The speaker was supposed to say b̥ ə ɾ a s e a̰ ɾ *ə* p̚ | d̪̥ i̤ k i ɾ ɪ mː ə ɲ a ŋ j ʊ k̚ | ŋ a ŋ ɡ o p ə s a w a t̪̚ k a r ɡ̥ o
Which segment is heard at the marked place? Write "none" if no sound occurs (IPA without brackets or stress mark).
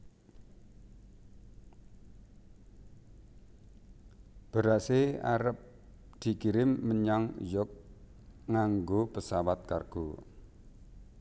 ə